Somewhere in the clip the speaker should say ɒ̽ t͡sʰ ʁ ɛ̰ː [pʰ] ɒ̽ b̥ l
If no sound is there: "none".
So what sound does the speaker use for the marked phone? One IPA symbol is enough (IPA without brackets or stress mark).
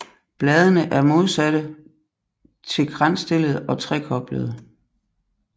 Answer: kʰ